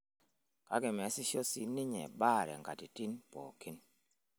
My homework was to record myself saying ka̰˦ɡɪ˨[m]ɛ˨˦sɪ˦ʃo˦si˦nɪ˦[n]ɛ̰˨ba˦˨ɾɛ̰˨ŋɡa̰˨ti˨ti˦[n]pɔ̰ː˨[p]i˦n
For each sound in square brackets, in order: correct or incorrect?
correct, incorrect: ɲ, correct, incorrect: k

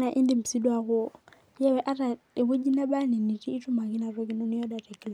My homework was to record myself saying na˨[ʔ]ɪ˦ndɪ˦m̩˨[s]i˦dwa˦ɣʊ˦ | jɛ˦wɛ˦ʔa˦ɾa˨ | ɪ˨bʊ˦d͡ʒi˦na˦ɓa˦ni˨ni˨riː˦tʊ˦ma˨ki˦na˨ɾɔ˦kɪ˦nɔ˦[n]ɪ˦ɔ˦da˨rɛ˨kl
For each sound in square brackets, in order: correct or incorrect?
correct, correct, correct

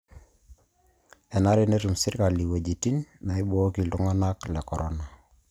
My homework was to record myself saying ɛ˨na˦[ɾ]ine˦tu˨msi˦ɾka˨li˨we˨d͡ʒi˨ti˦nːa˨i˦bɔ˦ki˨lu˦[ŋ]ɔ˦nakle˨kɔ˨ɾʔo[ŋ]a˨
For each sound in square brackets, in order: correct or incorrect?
correct, correct, incorrect: n

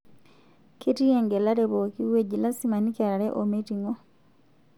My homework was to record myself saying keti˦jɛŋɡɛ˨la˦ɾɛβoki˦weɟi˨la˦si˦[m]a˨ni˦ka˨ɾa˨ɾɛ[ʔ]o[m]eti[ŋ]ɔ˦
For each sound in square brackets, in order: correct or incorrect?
correct, correct, correct, correct

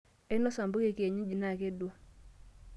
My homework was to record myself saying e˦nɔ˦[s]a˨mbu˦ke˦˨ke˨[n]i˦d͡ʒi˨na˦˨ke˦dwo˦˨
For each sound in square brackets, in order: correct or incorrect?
correct, incorrect: ɲ

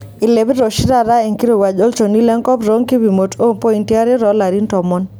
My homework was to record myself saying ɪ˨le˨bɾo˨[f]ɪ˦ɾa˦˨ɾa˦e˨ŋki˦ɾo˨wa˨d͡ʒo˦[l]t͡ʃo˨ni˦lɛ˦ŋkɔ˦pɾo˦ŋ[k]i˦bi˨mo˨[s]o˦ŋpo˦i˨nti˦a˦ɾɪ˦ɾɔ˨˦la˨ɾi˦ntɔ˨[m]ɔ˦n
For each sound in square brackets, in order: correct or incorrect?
incorrect: ʃ, correct, correct, incorrect: t, correct

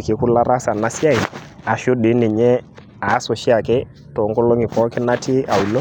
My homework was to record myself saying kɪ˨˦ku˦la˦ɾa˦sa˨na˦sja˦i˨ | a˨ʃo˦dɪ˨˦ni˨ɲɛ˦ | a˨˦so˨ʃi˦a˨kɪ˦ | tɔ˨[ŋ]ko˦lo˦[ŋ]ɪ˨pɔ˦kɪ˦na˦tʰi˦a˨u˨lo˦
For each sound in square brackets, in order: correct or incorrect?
correct, correct

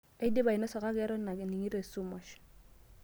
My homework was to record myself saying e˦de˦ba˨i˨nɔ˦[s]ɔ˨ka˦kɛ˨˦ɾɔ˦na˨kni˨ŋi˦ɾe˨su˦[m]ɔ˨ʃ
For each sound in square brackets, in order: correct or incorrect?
correct, correct

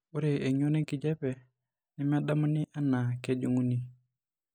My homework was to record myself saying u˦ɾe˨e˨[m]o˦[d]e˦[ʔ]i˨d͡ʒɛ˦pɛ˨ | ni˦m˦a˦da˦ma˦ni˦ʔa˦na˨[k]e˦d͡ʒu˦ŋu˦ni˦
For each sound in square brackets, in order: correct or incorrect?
incorrect: ɲ, incorrect: n, incorrect: k, correct

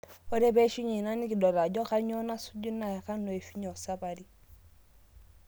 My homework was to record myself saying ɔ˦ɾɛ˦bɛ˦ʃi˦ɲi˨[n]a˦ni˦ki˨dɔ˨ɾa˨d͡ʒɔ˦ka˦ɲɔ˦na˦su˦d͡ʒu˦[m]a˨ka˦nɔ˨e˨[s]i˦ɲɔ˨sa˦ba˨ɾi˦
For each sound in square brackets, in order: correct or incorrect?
correct, incorrect: n, incorrect: f

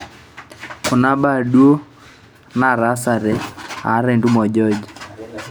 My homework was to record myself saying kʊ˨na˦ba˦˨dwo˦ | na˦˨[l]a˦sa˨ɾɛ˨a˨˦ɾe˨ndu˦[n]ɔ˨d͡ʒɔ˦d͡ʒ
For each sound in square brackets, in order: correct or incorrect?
incorrect: ɾ, incorrect: m

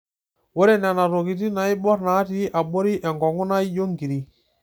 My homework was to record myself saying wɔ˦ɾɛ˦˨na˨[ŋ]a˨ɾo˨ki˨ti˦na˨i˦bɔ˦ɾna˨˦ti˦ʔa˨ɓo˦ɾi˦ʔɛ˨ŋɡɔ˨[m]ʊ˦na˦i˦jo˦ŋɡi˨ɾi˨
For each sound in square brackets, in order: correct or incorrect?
incorrect: n, incorrect: ŋ

